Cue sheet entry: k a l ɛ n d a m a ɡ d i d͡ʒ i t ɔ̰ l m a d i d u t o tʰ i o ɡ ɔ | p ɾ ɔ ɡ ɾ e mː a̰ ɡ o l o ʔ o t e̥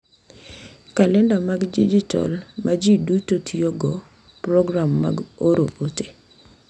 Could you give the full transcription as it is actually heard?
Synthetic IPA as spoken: k a l ɛ n d a m a ɡ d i d͡ʒ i t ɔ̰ l m a d͡ʒ i d u t o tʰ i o ɡ ɔ | p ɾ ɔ ɡ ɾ a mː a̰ ɡ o ɾ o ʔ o t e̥